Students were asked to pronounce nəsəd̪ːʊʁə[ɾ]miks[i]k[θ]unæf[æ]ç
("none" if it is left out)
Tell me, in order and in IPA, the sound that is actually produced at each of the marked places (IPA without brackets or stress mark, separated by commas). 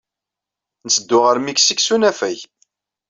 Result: ɾ, i, s, æ